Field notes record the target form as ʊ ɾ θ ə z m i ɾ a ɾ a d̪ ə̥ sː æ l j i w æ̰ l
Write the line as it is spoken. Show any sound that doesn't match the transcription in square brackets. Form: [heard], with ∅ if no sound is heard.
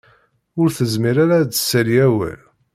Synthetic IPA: ʊ ɾ θ ə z m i ɾ a ɾ a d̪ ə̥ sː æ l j [æ] w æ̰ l